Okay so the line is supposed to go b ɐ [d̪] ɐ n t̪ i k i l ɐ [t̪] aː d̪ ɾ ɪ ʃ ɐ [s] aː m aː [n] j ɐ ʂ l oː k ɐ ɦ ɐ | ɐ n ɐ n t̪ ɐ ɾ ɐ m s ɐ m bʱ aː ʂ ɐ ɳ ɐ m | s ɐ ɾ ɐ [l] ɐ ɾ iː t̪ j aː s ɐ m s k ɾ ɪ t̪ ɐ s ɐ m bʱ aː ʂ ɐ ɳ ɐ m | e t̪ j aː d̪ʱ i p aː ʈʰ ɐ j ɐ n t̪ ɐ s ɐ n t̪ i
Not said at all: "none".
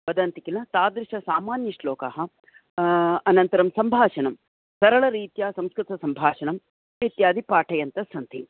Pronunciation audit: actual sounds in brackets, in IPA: d̪, t̪, s, n, ɭ

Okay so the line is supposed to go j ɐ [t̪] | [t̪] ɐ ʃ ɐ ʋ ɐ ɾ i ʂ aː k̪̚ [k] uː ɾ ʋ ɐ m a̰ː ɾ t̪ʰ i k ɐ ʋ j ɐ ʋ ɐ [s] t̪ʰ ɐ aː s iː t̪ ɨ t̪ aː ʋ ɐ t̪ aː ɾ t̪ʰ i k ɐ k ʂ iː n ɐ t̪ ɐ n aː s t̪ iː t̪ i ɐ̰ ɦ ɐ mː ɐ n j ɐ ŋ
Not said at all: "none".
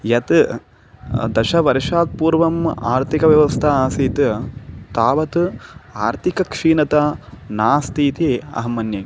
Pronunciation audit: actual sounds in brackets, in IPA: t̪, d̪, p, s

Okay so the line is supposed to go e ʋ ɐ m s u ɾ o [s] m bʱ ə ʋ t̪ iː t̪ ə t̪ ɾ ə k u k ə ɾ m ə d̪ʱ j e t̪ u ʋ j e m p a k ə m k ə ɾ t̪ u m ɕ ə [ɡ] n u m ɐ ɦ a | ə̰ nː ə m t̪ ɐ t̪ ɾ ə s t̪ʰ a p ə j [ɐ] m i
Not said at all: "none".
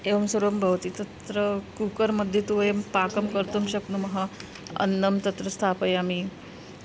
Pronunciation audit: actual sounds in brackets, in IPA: none, k, a

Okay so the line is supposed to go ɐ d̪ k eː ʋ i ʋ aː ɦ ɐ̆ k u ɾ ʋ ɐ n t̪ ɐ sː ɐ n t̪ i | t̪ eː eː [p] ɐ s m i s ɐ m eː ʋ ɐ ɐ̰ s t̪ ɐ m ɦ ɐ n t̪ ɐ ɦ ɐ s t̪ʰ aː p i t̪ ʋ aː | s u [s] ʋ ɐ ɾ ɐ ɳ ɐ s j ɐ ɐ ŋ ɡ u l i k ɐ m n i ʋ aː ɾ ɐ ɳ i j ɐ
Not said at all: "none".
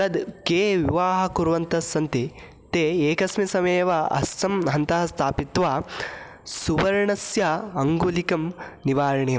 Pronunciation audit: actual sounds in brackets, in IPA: k, none

